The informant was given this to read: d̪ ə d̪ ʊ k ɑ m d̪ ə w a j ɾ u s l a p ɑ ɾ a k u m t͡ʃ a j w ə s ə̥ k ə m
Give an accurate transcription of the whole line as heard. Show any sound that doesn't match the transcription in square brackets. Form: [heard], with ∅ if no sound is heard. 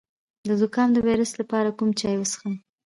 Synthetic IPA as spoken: d̪ ə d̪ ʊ k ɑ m d̪ ə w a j ɾ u s l a p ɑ ɾ a k u m t͡ʃ [ɑ] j w ə s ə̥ [x] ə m